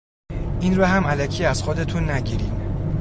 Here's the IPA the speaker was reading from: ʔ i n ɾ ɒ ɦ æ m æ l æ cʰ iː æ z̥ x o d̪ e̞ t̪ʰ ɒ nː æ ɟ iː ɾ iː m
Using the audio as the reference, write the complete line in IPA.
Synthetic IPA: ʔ i n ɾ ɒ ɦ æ m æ l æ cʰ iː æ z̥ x o d̪ e̞ t̪ʰ u nː æ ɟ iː ɾ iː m